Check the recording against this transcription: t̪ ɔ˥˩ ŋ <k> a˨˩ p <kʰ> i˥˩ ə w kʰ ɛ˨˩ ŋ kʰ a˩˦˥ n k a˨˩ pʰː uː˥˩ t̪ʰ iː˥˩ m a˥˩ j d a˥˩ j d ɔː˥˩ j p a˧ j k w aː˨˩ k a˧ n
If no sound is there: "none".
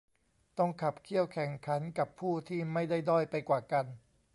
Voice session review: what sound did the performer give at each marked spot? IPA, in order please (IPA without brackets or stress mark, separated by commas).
kʰ, kʰ